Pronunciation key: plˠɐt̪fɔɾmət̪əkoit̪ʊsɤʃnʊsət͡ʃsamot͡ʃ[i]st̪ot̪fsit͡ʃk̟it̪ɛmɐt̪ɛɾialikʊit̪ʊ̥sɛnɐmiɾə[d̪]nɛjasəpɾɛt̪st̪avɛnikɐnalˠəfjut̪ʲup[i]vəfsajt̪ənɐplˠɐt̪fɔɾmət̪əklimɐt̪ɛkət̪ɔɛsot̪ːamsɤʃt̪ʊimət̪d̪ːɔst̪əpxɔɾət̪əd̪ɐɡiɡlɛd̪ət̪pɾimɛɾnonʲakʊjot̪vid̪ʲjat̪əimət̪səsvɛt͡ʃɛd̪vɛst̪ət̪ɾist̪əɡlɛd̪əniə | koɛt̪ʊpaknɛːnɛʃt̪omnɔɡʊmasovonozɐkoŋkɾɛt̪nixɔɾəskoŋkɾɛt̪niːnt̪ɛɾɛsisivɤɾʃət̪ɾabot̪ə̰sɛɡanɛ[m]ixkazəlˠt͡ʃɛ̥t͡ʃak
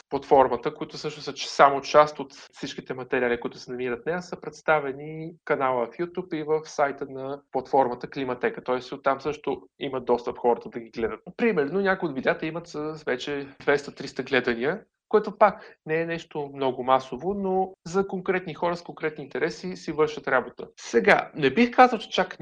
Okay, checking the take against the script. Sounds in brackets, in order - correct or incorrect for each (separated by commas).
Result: incorrect, incorrect, correct, incorrect